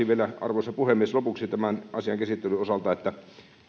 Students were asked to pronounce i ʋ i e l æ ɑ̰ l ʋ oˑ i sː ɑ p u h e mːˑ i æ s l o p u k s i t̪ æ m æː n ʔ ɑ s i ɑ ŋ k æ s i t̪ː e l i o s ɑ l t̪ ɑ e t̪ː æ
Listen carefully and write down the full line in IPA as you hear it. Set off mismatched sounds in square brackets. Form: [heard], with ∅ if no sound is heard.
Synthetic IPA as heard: i ʋ i e l æ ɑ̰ [r] ʋ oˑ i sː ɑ p u h e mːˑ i [e] s l o p u k s i t̪ æ m [æ] n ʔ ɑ s i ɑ ŋ k æ s i t̪ː e l [y] o s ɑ l t̪ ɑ e t̪ː æ

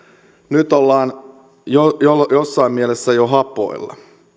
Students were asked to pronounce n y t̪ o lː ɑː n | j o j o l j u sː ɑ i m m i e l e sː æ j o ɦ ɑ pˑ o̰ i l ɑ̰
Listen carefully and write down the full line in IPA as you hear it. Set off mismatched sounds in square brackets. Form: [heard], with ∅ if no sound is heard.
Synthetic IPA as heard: n y t̪ o lː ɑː n | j o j o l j [o] sː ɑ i m m i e l e sː æ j o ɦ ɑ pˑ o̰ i [lː] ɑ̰

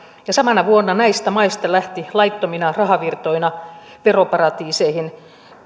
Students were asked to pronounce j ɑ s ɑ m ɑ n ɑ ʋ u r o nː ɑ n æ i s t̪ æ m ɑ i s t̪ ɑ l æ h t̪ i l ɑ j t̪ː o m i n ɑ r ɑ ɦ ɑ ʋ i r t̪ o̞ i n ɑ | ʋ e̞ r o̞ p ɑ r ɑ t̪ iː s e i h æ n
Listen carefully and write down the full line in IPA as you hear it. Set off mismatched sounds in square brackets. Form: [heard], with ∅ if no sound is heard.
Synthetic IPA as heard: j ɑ s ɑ m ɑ n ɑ ʋ u [∅] o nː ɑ n æ i s t̪ æ m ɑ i s t̪ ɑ l æ h t̪ i l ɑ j t̪ː o m i n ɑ r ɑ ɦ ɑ ʋ i r t̪ o̞ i n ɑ | ʋ e̞ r o̞ p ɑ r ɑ t̪ iː s e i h [i] n

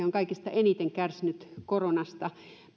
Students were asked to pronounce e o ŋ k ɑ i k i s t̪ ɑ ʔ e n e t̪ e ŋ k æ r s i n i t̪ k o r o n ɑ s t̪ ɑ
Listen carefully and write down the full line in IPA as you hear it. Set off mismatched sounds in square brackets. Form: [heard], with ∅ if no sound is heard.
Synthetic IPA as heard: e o ŋ k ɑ i k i s t̪ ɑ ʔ e n [i] t̪ e ŋ k æ r s i n [y] t̪ k o r o n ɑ s t̪ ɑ

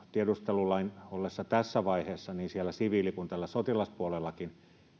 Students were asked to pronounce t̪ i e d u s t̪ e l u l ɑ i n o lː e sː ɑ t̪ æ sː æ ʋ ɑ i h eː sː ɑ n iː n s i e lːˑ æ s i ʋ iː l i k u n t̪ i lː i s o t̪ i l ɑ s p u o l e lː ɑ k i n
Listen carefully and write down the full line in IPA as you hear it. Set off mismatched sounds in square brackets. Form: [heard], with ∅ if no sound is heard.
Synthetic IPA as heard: t̪ i e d u s t̪ e l u l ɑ i n o lː e sː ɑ t̪ æ sː æ ʋ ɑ i h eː sː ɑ n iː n s i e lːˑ æ s i ʋ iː l i k u n t̪ [æ] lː [æ] s o t̪ i l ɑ s p u o l e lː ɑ k i n

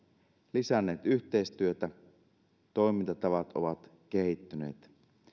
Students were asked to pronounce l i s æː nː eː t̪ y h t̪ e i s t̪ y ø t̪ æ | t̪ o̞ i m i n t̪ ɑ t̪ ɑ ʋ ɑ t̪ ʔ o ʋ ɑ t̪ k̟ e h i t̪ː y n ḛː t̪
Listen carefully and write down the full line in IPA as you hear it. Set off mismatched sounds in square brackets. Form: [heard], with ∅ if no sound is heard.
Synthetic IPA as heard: l i s [æ] nː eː t̪ y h t̪ e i s t̪ y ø t̪ æ | t̪ o̞ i m i n t̪ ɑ t̪ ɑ ʋ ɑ t̪ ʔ o ʋ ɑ t̪ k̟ e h i t̪ː y n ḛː t̪

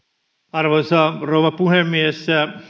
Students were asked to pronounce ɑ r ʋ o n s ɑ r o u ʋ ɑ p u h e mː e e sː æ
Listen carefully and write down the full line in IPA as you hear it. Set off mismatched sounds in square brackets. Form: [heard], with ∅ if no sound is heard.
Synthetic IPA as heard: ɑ r ʋ o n s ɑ r o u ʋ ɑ p u h e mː [i] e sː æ

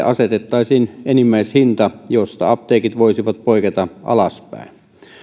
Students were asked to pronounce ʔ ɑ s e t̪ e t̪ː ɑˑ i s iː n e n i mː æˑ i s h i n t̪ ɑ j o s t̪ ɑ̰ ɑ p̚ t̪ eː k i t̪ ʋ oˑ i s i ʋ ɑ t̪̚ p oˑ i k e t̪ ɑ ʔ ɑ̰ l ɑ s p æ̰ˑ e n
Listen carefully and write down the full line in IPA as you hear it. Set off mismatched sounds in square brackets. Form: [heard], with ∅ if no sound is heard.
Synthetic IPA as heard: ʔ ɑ s e t̪ e t̪ː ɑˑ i s iː n e n i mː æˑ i s h i n t̪ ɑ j o s t̪ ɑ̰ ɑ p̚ t̪ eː k i t̪ ʋ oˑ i s i ʋ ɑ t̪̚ p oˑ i k e t̪ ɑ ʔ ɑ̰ l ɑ s p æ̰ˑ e n

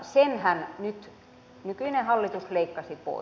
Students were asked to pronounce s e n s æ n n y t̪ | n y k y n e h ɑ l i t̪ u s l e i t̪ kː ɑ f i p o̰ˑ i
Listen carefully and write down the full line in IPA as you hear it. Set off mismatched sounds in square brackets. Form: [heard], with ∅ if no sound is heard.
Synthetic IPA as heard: s e n [h] æ n n y t̪ | n y k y n e h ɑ [lː] i t̪ u s l e i [∅] kː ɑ [s] i p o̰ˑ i

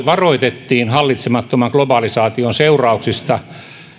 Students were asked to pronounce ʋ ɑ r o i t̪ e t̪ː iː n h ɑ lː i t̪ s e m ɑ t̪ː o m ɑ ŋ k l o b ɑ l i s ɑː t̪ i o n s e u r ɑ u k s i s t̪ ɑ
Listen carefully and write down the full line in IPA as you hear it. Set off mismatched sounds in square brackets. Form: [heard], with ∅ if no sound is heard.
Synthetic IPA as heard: ʋ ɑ r o i t̪ e t̪ː iː n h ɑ lː i t̪ s e m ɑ t̪ː o m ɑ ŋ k l o b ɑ l i s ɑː t̪ i o n s e u r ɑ u k s i s t̪ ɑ

